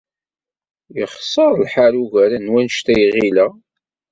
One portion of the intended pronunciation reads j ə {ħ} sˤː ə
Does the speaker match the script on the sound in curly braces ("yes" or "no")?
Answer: no